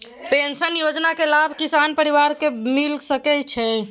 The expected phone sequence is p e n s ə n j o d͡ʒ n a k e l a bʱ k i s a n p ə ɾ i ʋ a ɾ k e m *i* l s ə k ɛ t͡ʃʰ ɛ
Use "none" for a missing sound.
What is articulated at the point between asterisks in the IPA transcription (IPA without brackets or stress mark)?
i